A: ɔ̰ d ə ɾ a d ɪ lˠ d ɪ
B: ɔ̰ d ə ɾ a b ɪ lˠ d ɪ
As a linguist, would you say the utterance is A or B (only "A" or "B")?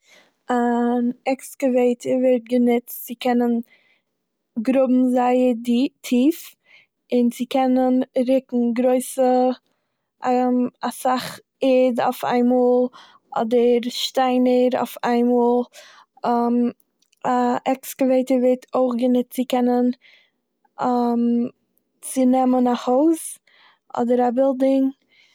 B